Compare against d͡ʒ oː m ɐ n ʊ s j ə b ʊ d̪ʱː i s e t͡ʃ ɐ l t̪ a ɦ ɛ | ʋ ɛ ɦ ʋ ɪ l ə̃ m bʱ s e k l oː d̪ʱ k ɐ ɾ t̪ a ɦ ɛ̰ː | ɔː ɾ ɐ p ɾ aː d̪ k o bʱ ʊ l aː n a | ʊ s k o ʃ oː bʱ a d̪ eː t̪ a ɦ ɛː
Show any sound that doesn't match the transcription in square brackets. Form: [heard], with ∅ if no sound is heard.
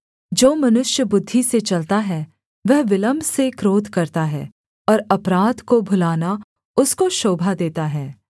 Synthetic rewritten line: d͡ʒ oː m ɐ n ʊ [ʃ] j ə b ʊ d̪ʱː i s e t͡ʃ ɐ l t̪ a ɦ ɛ | ʋ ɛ ɦ ʋ ɪ l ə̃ m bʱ s e k [ɾ] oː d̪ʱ k ɐ ɾ t̪ a ɦ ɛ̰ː | ɔː ɾ ɐ p ɾ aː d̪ k o bʱ ʊ l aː n a | ʊ s k o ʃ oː bʱ a d̪ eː t̪ a ɦ ɛː

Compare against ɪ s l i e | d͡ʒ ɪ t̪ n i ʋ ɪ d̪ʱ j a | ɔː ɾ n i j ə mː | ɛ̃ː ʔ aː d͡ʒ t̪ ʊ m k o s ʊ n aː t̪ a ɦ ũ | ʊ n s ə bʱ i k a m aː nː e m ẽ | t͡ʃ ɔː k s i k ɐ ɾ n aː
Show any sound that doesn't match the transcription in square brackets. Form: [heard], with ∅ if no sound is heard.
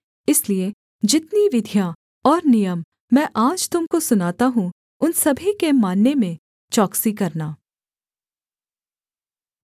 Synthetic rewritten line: ɪ s l i e | d͡ʒ ɪ t̪ n i ʋ ɪ d̪ʱ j a | ɔː ɾ n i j ə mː | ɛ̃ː ʔ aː d͡ʒ t̪ ʊ m k o s ʊ n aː t̪ a ɦ ũ | ʊ n s [ɐ] bʱ i k [e] m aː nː e m ẽ | t͡ʃ ɔː k s i k ɐ ɾ n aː

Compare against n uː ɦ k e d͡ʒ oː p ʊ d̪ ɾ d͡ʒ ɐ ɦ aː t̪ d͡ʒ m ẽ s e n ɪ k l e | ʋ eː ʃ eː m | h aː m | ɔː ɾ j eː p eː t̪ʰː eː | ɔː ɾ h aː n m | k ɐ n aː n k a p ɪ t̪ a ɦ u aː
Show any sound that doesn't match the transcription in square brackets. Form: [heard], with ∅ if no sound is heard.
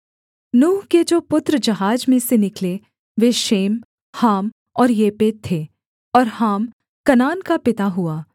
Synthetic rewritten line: n uː ɦ k e d͡ʒ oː p ʊ [t̪] ɾ d͡ʒ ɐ ɦ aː [∅] d͡ʒ m ẽ s e n ɪ k l e | ʋ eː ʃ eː m | h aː m | ɔː ɾ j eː p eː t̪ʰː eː | ɔː ɾ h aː [∅] m | k ɐ n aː n k a p ɪ t̪ a ɦ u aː

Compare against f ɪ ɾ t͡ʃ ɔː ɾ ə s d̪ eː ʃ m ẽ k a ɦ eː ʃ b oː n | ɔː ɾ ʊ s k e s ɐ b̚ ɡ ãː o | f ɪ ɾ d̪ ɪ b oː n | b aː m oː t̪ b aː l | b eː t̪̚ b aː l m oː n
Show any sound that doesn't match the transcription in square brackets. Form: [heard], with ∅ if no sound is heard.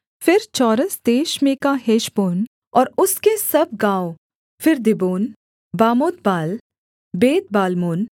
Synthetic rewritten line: f ɪ ɾ t͡ʃ ɔː ɾ ə s d̪ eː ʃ m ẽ k a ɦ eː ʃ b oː n | ɔː ɾ ʊ s k e s ɐ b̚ ɡ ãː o | f ɪ ɾ d̪ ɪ b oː n | b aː m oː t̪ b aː l | b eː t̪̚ b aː l m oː n

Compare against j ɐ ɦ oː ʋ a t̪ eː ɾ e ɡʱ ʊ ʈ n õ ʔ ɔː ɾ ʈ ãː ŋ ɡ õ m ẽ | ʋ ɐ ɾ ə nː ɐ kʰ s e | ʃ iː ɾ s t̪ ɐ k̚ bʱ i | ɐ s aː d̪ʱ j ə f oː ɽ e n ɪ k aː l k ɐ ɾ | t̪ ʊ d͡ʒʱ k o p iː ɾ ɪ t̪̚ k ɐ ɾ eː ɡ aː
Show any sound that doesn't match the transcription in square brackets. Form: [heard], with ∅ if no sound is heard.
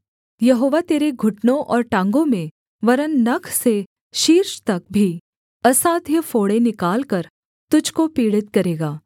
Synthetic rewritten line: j ɐ ɦ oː ʋ a t̪ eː ɾ e ɡʱ ʊ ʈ n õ ʔ ɔː ɾ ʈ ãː ŋ ɡ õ m ẽ | ʋ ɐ ɾ ə nː ɐ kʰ s e | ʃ iː ɾ [ʃ] t̪ ɐ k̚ bʱ i | ɐ s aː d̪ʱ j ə f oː ɽ e n ɪ k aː l k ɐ ɾ | t̪ ʊ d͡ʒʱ k o p iː [ɽ] ɪ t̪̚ k ɐ ɾ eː ɡ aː

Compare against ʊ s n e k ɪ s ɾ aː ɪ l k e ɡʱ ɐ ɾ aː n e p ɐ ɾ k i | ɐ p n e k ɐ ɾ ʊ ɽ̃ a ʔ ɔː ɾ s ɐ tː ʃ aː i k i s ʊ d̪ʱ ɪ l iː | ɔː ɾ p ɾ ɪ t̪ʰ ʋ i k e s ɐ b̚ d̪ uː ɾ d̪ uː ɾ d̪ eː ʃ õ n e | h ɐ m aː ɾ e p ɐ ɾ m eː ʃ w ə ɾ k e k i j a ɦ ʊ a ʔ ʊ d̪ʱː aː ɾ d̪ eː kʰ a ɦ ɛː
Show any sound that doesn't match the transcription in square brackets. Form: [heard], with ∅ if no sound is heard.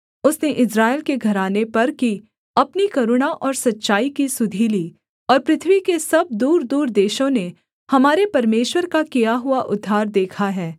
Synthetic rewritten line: ʊ s n e [ʔ] ɪ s ɾ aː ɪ l k e ɡʱ ɐ ɾ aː n e p ɐ ɾ k i | ɐ p n [i] k ɐ ɾ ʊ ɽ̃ a ʔ ɔː ɾ s ɐ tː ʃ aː i k i s ʊ d̪ʱ [i] l iː | ɔː ɾ p ɾ ɪ t̪ʰ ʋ i k e s ɐ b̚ d̪ uː ɾ d̪ uː ɾ d̪ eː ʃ õ n e | h ɐ m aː ɾ e p ɐ ɾ m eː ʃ w ə ɾ k [a] k i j a ɦ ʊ a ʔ ʊ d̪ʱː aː ɾ d̪ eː kʰ a ɦ ɛː

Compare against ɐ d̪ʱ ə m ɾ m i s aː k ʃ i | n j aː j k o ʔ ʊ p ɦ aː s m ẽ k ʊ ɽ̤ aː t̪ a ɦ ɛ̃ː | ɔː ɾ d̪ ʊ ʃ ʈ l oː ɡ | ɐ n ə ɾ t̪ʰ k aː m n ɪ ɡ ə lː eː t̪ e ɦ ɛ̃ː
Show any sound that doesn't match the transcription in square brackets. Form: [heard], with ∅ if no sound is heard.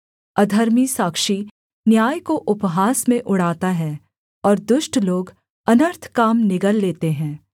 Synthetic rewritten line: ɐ d̪ʱ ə [∅] ɾ m i s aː k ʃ i | n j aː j k o ʔ ʊ p ɦ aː s m ẽ [ʔ] ʊ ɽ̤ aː t̪ a ɦ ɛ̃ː | ɔː ɾ d̪ ʊ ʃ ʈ l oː ɡ | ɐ n ə ɾ t̪ʰ k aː m n ɪ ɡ ə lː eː t̪ e ɦ ɛ̃ː

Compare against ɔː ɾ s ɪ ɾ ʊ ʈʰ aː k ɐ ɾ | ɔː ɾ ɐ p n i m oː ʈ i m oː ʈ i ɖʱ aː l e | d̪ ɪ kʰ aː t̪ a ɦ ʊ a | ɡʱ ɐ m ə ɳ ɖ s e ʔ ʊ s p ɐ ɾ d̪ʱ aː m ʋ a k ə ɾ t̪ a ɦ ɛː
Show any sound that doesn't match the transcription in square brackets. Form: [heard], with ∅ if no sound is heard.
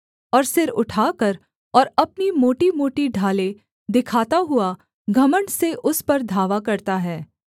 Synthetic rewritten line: ɔː ɾ s ɪ ɾ ʊ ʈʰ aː k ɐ ɾ | ɔː ɾ ɐ p n i m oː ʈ i m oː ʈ i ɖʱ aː l e | d̪ ɪ kʰ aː t̪ a ɦ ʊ a | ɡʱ ɐ m ə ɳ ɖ s e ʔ ʊ s p ɐ ɾ d̪ʱ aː [∅] ʋ a k [ɐ] ɾ t̪ a ɦ ɛː

